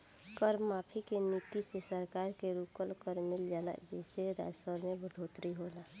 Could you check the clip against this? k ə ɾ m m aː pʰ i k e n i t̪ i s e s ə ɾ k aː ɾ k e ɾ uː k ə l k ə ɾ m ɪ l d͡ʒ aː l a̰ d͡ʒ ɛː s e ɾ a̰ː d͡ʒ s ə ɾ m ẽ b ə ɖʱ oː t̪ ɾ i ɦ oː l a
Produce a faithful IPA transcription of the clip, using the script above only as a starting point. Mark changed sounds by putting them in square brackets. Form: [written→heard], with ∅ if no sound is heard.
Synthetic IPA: k ə ɾ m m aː pʰ i k e n i t̪ i s e s ə ɾ k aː ɾ k e ɾ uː k ə l k ə ɾ m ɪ l d͡ʒ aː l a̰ d͡ʒ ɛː s e ɾ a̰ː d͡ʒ s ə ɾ m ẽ b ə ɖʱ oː t̪ ɾ i ɦ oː l a